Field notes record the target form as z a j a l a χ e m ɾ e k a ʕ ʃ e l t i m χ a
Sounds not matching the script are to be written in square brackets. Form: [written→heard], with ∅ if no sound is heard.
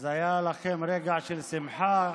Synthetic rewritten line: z a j a l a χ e m ɾ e [k→ɡ] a ʕ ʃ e l [t→s] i m [χ→ħ] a